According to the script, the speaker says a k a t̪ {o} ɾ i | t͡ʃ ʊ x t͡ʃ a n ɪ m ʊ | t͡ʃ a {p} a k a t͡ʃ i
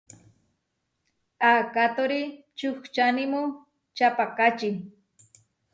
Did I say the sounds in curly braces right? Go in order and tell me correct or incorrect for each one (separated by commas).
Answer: correct, correct